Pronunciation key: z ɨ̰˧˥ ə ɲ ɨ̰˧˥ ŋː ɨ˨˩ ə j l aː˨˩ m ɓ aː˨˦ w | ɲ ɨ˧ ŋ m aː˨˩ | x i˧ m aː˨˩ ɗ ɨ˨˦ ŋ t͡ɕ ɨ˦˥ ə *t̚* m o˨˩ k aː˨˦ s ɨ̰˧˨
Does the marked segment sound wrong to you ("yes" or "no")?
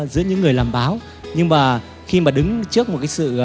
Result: yes